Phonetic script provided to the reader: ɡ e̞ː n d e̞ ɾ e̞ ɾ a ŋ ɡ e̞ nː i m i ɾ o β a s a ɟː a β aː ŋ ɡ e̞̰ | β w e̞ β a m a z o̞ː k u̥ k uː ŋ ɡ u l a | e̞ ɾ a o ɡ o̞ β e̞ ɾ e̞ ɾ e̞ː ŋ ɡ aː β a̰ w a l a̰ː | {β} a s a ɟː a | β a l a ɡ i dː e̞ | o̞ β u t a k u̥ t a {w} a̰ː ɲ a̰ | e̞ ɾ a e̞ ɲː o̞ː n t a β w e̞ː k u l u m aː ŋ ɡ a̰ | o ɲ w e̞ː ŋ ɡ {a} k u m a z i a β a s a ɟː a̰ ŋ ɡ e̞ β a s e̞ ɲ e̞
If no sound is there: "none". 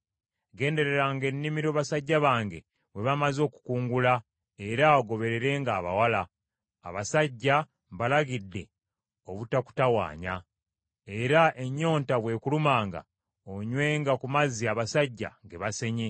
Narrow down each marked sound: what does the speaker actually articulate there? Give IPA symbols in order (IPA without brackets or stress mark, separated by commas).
β, w, a